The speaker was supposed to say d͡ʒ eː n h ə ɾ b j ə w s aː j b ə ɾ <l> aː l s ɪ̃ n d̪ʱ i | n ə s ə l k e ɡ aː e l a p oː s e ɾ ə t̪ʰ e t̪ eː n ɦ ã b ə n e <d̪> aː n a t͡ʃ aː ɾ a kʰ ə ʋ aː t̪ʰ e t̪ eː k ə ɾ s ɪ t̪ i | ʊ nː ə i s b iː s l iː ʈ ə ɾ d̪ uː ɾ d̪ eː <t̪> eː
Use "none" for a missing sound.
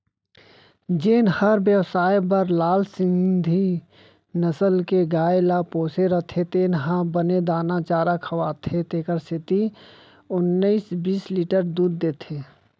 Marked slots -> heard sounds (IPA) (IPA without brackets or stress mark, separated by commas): l, d̪, t̪ʰ